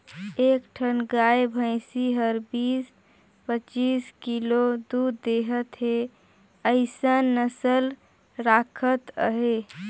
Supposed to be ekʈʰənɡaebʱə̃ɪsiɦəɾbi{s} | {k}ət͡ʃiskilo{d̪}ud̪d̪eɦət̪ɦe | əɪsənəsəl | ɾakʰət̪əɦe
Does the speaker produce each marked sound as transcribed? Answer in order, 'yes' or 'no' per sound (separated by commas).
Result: yes, no, yes